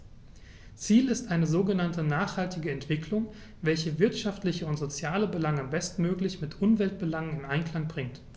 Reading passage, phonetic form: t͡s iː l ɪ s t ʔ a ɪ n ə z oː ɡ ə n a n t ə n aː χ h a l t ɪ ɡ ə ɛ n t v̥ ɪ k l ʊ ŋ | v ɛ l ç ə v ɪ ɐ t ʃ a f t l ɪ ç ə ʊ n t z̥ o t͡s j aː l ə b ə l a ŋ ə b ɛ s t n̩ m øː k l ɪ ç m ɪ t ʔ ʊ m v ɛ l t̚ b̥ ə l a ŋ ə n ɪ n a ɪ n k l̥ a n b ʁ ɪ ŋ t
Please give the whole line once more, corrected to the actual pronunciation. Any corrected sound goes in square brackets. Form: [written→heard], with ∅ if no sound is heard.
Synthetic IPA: t͡s iː l ɪ s t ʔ a ɪ n ə z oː ɡ ə n a n t ə n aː χ h a l t ɪ ɡ ə ɛ n t v̥ ɪ k l ʊ ŋ | v ɛ l ç ə v ɪ ɐ t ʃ a f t l ɪ ç ə ʊ n t z̥ o t͡s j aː l ə b ə l a ŋ ə b ɛ s t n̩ m øː k l ɪ ç m ɪ t ʔ ʊ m v ɛ l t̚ b̥ ə l a ŋ ə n ɪ n a ɪ n k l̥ a [n→ŋ] b ʁ ɪ ŋ t